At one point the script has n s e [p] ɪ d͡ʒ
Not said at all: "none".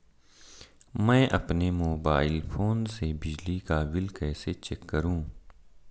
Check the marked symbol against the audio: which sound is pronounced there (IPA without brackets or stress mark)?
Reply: b